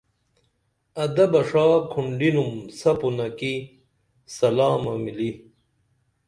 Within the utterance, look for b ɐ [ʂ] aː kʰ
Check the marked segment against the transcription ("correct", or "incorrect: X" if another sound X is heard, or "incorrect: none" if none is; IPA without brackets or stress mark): correct